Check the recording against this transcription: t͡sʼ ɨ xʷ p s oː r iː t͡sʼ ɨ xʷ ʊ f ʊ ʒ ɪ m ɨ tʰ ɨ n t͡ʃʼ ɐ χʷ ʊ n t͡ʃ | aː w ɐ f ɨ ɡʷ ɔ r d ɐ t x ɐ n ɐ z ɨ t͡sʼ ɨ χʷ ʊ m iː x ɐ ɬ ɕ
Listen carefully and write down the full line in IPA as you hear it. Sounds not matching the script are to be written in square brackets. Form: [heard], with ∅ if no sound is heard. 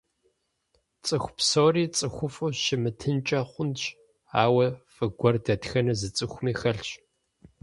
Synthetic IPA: t͡sʼ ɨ xʷ p s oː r iː t͡sʼ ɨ xʷ ʊ f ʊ [ʃ] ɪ m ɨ tʰ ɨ n t͡ʃʼ ɐ χʷ ʊ n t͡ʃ | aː w ɐ f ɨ ɡʷ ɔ r d ɐ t x ɐ n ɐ z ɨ t͡sʼ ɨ [xʷ] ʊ m iː x ɐ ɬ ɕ